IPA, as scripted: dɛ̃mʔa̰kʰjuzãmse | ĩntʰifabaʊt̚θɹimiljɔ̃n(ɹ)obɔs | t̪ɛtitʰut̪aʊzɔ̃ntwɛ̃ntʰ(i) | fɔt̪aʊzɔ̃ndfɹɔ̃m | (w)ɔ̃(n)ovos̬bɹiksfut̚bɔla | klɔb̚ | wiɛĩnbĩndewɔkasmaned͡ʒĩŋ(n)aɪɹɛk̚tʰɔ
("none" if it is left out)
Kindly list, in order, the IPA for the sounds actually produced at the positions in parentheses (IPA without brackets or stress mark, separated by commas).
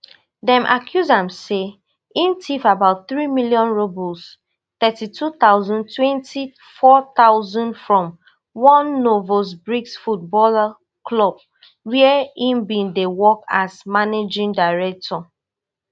ɹ, i, w, nː, d